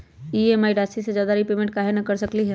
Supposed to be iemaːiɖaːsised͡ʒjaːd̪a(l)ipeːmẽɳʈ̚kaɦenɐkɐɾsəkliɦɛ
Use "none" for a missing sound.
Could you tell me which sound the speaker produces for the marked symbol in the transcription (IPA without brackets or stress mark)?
ɾ